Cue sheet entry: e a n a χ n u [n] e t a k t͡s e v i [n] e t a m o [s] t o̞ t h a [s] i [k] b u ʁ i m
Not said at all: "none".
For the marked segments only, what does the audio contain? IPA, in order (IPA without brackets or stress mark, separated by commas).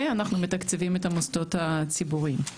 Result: m, m, s, t͡s, none